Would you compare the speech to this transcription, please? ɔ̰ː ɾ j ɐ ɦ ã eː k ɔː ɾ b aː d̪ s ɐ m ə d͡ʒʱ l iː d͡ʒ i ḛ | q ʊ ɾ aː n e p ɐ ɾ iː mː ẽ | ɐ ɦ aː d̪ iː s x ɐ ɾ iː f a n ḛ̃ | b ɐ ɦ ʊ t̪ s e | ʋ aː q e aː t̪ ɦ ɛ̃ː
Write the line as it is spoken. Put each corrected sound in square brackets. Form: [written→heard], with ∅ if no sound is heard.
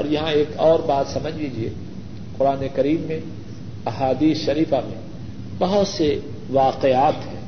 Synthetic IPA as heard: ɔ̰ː ɾ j ɐ ɦ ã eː k ɔː ɾ b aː [d̪→t̪] s ɐ m ə d͡ʒʱ l iː d͡ʒ i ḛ | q ʊ ɾ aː n e [p→k] ɐ ɾ iː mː ẽ | ɐ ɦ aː d̪ iː s [x→ʃ] ɐ ɾ iː f a [n→m] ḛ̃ | b ɐ ɦ ʊ t̪ s e | ʋ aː q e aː t̪ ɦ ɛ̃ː